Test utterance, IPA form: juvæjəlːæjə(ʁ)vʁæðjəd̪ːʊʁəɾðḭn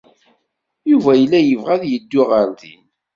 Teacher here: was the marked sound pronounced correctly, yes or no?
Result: no